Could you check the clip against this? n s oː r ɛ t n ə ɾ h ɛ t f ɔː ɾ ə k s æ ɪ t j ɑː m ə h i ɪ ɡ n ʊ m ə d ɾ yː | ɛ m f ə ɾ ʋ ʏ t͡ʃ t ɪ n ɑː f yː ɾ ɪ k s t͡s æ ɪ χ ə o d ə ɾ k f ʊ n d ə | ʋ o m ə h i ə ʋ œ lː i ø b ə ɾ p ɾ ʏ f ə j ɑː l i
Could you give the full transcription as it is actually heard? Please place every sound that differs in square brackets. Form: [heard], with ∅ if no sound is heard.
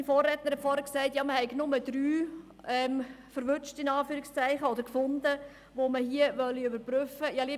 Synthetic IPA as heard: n [f] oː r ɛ t n ə ɾ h ɛ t f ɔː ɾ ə k s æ ɪ t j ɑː m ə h [ɛ] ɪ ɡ n ʊ m ə d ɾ yː | ɛ m f ə ɾ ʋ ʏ t͡ʃ t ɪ n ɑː f yː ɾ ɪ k s t͡s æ ɪ χ ə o d ə ɾ k f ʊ n d ə | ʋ o m ə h i ə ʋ œ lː i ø b ə ɾ p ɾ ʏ f ə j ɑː l i